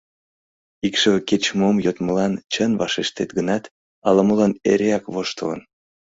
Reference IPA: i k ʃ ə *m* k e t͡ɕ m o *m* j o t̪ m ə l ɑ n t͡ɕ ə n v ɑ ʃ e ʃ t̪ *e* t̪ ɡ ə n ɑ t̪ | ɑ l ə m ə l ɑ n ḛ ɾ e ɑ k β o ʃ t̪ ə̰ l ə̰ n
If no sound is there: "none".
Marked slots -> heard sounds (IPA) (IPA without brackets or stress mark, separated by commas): none, m, e